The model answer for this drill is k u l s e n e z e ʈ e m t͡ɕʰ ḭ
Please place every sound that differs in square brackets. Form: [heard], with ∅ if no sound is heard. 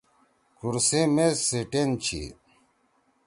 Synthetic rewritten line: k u [ɾ] s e [m] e [s] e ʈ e [n] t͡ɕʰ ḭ